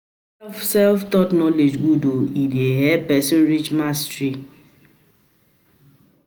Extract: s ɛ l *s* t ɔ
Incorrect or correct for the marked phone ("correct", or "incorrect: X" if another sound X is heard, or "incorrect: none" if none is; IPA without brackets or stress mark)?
incorrect: f